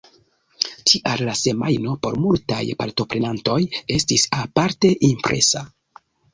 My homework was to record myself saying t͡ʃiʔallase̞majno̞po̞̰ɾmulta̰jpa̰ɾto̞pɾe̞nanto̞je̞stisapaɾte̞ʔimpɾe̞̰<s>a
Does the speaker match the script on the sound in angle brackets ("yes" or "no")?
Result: yes